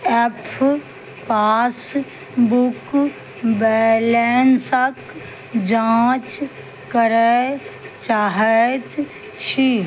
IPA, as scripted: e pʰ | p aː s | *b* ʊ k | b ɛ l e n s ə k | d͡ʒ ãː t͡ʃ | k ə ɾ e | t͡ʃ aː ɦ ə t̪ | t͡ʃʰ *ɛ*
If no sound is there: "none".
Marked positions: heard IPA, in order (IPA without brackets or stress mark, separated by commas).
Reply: b, i